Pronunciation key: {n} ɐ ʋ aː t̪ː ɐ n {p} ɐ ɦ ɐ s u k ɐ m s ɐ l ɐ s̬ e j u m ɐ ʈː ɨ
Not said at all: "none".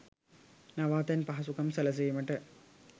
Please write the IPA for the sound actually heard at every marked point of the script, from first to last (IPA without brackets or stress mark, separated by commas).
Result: n, p